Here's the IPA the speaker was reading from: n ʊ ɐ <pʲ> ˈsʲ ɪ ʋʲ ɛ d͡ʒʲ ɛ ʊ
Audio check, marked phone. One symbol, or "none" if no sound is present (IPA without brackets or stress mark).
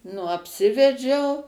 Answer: pʲ